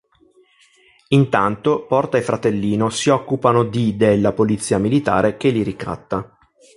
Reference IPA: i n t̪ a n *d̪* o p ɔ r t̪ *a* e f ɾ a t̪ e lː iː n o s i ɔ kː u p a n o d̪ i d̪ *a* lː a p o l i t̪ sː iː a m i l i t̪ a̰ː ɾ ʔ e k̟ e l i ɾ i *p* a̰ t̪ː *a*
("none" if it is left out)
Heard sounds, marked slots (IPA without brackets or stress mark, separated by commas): t̪, a, e, k, a